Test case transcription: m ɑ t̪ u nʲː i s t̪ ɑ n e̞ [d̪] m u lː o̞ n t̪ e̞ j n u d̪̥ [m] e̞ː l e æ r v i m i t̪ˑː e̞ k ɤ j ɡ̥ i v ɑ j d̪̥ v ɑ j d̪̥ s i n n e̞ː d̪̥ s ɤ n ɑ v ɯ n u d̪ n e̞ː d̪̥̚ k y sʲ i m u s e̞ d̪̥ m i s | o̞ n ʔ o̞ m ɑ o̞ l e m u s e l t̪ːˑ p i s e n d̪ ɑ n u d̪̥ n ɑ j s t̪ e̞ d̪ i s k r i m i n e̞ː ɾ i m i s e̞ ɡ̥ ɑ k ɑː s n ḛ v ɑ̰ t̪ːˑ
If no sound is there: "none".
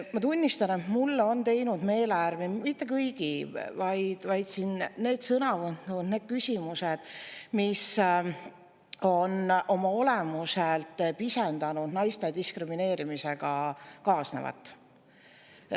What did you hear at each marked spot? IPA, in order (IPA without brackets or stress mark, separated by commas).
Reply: t̪, m